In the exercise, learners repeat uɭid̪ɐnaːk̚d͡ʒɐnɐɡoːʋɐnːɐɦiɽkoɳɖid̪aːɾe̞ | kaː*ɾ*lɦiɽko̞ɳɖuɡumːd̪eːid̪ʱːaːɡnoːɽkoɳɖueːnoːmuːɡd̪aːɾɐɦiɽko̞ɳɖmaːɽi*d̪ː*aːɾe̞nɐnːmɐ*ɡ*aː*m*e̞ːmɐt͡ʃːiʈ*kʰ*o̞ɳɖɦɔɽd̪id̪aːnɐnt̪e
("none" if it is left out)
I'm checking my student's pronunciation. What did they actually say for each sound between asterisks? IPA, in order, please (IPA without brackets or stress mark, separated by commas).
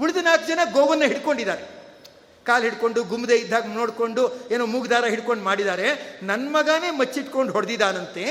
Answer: none, d̪, ɡ, n, k